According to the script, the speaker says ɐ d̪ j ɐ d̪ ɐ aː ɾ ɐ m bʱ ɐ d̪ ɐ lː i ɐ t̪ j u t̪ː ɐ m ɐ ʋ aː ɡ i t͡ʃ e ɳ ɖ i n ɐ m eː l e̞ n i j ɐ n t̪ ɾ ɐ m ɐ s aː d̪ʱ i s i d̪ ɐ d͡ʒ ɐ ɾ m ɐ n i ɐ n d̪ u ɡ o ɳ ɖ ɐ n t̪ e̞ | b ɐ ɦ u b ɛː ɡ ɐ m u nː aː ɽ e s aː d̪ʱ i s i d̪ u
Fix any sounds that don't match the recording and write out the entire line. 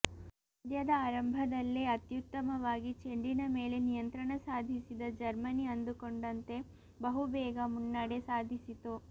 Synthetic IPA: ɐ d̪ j ɐ d̪ ɐ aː ɾ ɐ m bʱ ɐ d̪ ɐ lː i ɐ t̪ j u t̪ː ɐ m ɐ ʋ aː ɡ i t͡ʃ e ɳ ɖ i n ɐ m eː l e̞ n i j ɐ n t̪ ɾ ɐ ɳ ɐ s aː d̪ʱ i s i d̪ ɐ d͡ʒ ɐ ɾ m ɐ n i ɐ n d̪ u k o ɳ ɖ ɐ n t̪ e̞ | b ɐ ɦ u b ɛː ɡ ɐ m u nː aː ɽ e s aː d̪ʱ i s i t̪ u

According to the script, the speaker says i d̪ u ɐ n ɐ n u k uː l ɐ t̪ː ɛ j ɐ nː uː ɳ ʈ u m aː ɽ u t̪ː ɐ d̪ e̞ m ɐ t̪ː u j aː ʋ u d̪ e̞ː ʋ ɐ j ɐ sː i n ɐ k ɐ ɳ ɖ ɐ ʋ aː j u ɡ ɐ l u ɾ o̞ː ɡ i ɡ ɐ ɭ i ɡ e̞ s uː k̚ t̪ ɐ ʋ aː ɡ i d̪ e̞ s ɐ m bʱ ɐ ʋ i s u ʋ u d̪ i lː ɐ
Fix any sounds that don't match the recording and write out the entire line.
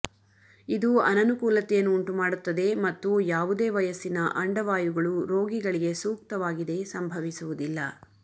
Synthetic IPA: i d̪ u ɐ n ɐ n u k uː l ɐ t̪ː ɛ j ɐ nː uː ɳ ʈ u m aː ɽ u t̪ː ɐ d̪ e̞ m ɐ t̪ː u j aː ʋ u d̪ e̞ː ʋ ɐ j ɐ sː i n ɐ ʔ ɐ ɳ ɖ ɐ ʋ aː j u ɡ ɐ ɭ u ɾ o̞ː ɡ i ɡ ɐ ɭ i ɡ e̞ s uː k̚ t̪ ɐ ʋ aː ɡ i d̪ e̞ s ɐ m bʱ ɐ ʋ i s u ʋ u d̪ i lː ɐ

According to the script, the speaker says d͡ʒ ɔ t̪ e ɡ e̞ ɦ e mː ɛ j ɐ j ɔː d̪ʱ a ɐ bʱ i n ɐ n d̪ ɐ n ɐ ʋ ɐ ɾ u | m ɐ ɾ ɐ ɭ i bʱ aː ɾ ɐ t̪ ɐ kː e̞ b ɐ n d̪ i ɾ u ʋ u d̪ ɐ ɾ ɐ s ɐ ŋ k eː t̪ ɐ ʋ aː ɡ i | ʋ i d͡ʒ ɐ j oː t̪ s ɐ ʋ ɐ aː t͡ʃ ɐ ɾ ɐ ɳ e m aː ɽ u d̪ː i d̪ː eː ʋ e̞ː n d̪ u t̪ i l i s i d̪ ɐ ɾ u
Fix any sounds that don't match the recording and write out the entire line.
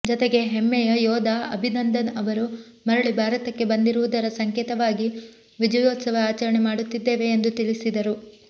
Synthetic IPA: d͡ʒ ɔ t̪ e ɡ e̞ ɦ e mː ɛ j ɐ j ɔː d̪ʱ a ɐ bʱ i n ɐ n d̪ ɐ n ɐ ʋ ɐ ɾ u | m ɐ ɾ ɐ ɭ i bʱ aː ɾ ɐ t̪ ɐ kː e̞ b ɐ n d̪ i ɾ u ʋ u d̪ ɐ ɾ ɐ s ɐ ŋ k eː t̪ ɐ ʋ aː ɡ i | ʋ i d͡ʒ ɐ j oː t̪ s ɐ ʋ ɐ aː t͡ʃ ɐ ɾ ɐ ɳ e m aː ɽ u t̪ː i d̪ː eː ʋ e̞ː n d̪ u t̪ i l i s i d̪ ɐ ɾ u

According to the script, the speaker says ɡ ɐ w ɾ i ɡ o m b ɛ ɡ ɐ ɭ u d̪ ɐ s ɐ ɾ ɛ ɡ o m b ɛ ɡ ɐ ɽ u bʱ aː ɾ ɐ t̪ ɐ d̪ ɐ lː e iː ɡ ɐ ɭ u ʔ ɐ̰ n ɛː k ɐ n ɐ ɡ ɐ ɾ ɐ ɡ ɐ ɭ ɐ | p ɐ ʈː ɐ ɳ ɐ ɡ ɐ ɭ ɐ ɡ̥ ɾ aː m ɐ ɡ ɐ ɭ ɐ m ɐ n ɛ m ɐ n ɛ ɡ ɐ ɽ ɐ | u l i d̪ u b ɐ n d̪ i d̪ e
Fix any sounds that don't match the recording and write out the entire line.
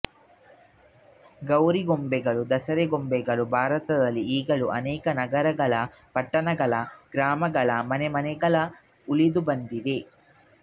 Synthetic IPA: ɡ ɐ w ɾ i ɡ o m b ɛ ɡ ɐ ɭ u d̪ ɐ s ɐ ɾ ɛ ɡ o m b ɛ ɡ ɐ ɭ u bʱ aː ɾ ɐ t̪ ɐ d̪ ɐ lː i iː ɡ ɐ ɭ u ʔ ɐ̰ n ɛː k ɐ n ɐ ɡ ɐ ɾ ɐ ɡ ɐ ɭ ɐ | p ɐ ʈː ɐ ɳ ɐ ɡ ɐ ɭ ɐ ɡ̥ ɾ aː m ɐ ɡ ɐ ɭ ɐ m ɐ n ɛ m ɐ n ɛ ɡ ɐ ɭ ɐ | u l i d̪ u b ɐ n d̪ i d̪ e

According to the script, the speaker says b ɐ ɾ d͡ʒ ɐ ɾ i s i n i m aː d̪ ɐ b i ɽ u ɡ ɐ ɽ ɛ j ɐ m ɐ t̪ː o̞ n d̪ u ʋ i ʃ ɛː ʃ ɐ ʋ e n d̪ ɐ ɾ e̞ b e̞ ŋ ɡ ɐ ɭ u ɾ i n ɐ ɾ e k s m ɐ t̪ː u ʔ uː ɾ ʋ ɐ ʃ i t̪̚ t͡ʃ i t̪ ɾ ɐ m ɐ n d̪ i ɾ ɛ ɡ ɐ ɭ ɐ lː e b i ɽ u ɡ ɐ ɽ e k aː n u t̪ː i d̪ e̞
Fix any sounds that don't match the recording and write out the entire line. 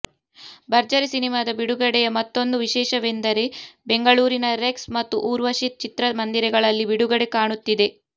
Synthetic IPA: b ɐ ɾ d͡ʒ ɐ ɾ i s i n i m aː d̪ ɐ b i ɽ u ɡ ɐ ɽ ɛ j ɐ m ɐ t̪ː o̞ n d̪ u ʋ i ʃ ɛː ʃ ɐ ʋ e n d̪ ɐ ɾ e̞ b e̞ ŋ ɡ ɐ ɭ uː ɾ i n ɐ ɾ e k s m ɐ t̪ː u ʔ uː ɾ ʋ ɐ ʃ i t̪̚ t͡ʃ i t̪ ɾ ɐ m ɐ n d̪ i ɾ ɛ ɡ ɐ ɭ ɐ lː i b i ɽ u ɡ ɐ ɽ e k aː ɳ u t̪ː i d̪ e̞

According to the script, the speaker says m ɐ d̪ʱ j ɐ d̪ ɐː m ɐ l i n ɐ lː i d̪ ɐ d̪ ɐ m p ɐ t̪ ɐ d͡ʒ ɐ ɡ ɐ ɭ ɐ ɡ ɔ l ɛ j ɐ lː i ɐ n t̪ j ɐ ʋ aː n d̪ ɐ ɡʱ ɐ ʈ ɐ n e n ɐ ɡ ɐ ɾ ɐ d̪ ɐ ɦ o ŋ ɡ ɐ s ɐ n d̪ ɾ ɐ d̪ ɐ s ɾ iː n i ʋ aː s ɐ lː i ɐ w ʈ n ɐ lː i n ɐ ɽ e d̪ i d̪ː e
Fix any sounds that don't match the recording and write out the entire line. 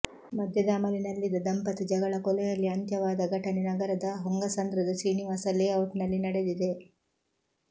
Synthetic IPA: m ɐ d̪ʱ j ɐ d̪ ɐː m ɐ l i n ɐ lː i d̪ ɐ d̪ ɐ m p ɐ t̪ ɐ d͡ʒ ɐ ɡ ɐ ɭ ɐ k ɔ l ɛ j ɐ lː i ɐ n t̪ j ɐ ʋ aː d̪ ɐ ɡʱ ɐ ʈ ɐ n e n ɐ ɡ ɐ ɾ ɐ d̪ ɐ ɦ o ŋ ɡ ɐ s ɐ n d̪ ɾ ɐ d̪ ɐ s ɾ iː n i ʋ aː s ɐ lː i ɐ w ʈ n ɐ lː i n ɐ ɽ e d̪ i d̪ e

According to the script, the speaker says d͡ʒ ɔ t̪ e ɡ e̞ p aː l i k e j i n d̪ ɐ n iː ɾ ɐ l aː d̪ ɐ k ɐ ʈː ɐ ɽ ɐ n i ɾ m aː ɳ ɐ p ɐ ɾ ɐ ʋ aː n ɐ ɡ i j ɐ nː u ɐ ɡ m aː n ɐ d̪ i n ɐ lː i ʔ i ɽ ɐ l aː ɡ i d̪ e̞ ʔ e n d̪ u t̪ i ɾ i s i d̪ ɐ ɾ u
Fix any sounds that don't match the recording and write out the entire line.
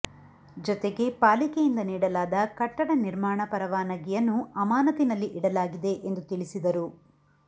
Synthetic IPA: d͡ʒ ɔ t̪ e ɡ e̞ p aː l i k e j i n d̪ ɐ n iː ɽ ɐ l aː d̪ ɐ k ɐ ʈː ɐ ɽ ɐ n i ɾ m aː ɳ ɐ p ɐ ɾ ɐ ʋ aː n ɐ ɡ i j ɐ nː u ɐ m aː n ɐ t̪ i n ɐ lː i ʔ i ɽ ɐ l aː ɡ i d̪ e̞ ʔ e n d̪ u t̪ i ɭ i s i d̪ ɐ ɾ u

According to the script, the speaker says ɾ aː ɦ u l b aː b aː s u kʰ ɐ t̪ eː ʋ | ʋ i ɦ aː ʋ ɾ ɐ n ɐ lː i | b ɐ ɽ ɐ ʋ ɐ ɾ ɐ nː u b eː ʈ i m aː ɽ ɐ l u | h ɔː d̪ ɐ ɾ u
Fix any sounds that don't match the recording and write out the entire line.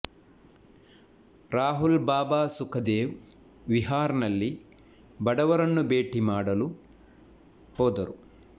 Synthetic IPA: ɾ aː ɦ u l b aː b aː s u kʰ ɐ d̪ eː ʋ | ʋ i ɦ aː ɾ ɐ n ɐ lː i | b ɐ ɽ ɐ ʋ ɐ ɾ ɐ nː u b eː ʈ i m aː ɽ ɐ l u | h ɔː d̪ ɐ ɾ u

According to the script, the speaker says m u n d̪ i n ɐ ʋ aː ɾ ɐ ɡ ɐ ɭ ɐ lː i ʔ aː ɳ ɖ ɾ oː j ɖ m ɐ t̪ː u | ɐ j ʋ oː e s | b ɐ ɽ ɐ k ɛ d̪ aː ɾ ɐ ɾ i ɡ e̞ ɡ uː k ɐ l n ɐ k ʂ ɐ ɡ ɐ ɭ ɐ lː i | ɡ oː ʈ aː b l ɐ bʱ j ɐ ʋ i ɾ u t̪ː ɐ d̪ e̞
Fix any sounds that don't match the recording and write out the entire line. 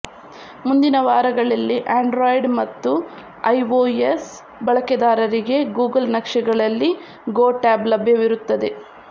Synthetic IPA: m u n d̪ i n ɐ ʋ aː ɾ ɐ ɡ ɐ ɭ ɐ lː i ʔ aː ɳ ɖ ɾ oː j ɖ m ɐ t̪ː u | ɐ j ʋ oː e s | b ɐ ɭ ɐ k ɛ d̪ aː ɾ ɐ ɾ i ɡ e̞ ɡ uː ɡ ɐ l n ɐ k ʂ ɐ ɡ ɐ ɭ ɐ lː i | ɡ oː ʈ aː b l ɐ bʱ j ɐ ʋ i ɾ u t̪ː ɐ d̪ e̞

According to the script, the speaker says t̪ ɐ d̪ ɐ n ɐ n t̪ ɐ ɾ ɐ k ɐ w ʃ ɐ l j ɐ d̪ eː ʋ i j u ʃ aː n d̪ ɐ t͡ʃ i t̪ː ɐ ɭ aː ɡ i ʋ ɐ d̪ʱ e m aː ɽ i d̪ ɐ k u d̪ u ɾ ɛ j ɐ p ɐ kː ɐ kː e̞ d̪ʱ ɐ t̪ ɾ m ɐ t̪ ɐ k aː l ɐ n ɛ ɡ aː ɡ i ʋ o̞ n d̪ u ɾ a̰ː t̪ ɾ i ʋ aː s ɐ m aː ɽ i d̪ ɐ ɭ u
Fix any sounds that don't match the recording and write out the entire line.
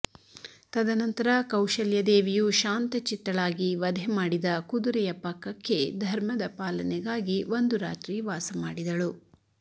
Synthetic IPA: t̪ ɐ d̪ ɐ n ɐ n t̪ ɐ ɾ ɐ k ɐ w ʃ ɐ l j ɐ d̪ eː ʋ i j u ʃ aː n t̪ ɐ t͡ʃ i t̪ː ɐ ɭ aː ɡ i ʋ ɐ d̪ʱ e m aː ɽ i d̪ ɐ k u d̪ u ɾ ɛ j ɐ p ɐ kː ɐ kː e̞ d̪ʱ ɐ ɾ m ɐ d̪ ɐ p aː l ɐ n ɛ ɡ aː ɡ i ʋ o̞ n d̪ u ɾ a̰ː t̪ ɾ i ʋ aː s ɐ m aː ɽ i d̪ ɐ ɭ u

